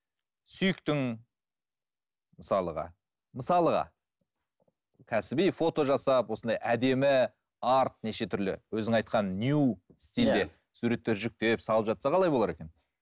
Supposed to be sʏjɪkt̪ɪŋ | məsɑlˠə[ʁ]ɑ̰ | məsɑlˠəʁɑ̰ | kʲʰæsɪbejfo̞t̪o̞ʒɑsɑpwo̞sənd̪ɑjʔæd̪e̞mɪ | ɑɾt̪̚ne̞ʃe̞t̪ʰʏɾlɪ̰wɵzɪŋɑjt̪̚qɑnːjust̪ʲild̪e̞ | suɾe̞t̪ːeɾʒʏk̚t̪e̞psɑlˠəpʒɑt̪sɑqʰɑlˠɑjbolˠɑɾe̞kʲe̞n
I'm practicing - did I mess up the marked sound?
no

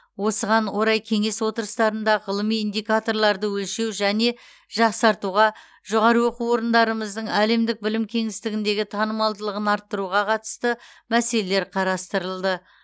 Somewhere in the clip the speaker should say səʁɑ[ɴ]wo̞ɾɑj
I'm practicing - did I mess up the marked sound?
yes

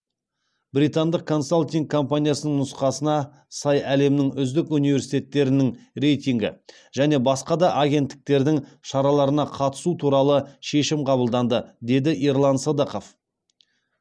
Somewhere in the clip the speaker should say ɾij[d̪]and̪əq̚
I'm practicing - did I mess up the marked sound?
yes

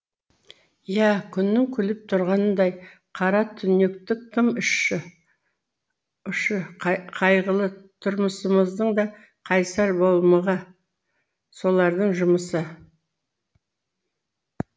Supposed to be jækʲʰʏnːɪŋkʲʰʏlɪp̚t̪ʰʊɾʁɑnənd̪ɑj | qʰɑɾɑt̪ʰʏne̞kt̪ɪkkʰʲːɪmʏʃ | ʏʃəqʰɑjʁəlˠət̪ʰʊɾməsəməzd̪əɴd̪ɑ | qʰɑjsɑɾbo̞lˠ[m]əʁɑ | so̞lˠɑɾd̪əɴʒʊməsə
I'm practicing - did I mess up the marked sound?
no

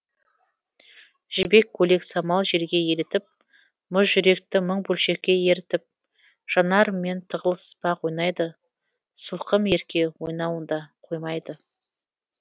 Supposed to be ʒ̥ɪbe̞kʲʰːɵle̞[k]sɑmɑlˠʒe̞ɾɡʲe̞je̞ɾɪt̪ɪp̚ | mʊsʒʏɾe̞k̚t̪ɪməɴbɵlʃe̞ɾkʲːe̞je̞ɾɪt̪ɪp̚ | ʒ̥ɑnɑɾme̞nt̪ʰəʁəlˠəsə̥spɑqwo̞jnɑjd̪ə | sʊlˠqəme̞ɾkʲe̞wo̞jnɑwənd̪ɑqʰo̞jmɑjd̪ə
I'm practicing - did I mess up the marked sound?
no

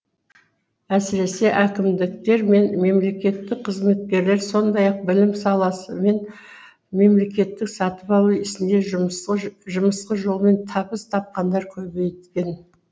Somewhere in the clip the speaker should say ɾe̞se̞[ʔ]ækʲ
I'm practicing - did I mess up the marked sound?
no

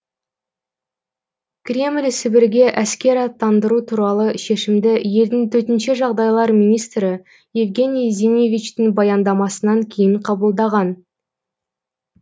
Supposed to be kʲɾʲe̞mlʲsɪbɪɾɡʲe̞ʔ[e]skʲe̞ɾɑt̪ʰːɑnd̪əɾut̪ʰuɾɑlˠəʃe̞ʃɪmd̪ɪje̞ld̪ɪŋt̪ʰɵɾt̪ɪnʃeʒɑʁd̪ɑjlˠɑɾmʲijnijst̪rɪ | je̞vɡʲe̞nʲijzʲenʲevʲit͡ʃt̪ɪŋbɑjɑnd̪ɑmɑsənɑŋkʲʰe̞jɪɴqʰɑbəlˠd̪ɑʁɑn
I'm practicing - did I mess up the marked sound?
yes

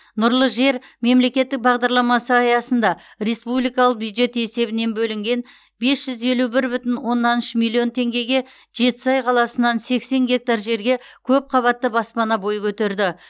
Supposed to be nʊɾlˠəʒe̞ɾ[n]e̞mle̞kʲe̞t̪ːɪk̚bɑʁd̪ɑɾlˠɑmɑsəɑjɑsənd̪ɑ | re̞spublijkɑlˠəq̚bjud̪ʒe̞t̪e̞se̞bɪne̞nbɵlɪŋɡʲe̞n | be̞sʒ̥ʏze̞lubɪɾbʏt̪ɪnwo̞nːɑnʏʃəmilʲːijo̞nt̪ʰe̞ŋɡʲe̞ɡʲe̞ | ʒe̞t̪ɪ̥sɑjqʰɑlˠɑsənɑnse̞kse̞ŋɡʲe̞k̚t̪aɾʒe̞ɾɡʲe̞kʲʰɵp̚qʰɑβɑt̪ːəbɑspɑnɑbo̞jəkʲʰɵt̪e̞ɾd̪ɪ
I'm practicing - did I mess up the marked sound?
yes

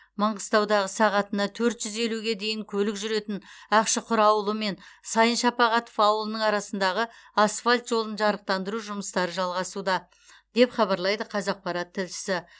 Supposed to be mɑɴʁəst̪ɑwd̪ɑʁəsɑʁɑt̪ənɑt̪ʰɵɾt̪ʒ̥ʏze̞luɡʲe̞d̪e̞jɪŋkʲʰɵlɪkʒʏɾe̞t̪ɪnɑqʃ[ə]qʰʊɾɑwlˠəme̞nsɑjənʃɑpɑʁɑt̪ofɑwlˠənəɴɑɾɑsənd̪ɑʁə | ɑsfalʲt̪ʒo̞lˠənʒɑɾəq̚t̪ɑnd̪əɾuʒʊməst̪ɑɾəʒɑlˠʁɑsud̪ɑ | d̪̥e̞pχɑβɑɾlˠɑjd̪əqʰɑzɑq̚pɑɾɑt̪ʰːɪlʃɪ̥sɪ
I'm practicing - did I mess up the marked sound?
no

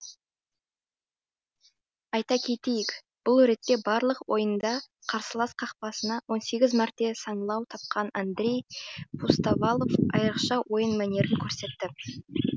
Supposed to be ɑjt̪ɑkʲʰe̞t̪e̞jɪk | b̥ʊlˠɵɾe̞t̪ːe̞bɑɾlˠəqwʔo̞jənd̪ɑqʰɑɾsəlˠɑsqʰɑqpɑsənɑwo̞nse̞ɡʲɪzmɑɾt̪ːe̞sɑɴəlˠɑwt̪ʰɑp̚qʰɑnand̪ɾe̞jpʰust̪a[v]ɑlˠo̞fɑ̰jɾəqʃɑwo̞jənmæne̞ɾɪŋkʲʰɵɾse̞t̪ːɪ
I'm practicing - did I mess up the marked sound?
no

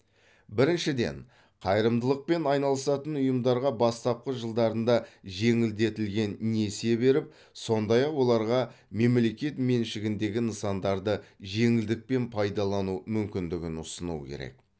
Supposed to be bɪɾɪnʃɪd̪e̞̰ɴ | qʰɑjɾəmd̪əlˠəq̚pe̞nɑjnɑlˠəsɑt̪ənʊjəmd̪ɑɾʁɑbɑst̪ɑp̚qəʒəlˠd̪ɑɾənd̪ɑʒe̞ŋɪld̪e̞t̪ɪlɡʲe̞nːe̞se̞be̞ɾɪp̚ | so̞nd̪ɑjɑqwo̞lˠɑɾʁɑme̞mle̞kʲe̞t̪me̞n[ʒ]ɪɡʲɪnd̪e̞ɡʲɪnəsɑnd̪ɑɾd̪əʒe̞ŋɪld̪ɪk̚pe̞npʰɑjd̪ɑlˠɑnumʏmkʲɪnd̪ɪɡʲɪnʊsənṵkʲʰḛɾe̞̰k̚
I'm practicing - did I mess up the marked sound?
yes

